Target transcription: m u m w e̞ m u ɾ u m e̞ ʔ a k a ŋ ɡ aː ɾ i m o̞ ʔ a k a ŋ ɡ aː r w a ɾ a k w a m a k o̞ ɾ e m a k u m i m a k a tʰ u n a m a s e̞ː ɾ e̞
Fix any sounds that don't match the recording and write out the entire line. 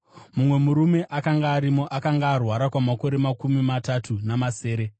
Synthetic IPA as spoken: m u m w e̞ m u ɾ u m e̞ ʔ a k a ŋ ɡ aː ɾ i m o̞ ʔ a k a ŋ ɡ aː r w a ɾ a k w a m a k o̞ ɾ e m a k u m i m a t a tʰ u n a m a s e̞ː ɾ e̞